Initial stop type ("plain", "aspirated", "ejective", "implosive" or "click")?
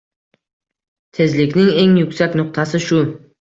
aspirated